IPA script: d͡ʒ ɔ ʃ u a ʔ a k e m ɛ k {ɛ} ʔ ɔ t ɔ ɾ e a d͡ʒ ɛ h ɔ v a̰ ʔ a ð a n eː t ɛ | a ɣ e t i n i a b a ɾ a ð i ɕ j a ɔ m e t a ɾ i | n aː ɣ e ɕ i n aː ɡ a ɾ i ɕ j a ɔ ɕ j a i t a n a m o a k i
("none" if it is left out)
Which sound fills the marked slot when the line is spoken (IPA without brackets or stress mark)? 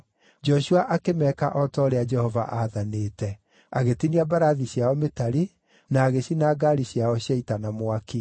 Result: a